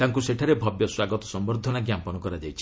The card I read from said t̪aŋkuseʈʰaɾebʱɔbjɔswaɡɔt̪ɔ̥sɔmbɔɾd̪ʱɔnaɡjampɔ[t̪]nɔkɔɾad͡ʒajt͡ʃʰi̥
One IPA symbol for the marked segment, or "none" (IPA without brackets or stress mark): none